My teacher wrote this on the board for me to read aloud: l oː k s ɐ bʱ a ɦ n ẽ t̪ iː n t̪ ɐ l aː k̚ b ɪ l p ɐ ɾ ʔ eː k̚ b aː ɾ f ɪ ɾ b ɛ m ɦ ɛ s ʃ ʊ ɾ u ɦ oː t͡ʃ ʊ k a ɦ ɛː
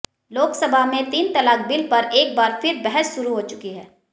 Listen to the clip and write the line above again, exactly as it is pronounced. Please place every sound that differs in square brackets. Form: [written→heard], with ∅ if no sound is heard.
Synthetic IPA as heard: l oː k s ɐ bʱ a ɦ [n→m] ẽ t̪ iː n t̪ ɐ l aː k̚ b ɪ l p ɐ ɾ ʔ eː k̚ b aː ɾ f ɪ ɾ b ɛ [m→∅] ɦ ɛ s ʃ ʊ ɾ u ɦ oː t͡ʃ ʊ k [a→i] ɦ ɛː